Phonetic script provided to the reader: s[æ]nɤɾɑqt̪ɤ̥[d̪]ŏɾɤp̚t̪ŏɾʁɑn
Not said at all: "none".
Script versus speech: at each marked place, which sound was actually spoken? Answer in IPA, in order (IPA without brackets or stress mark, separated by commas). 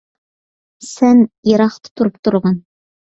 æ, t̪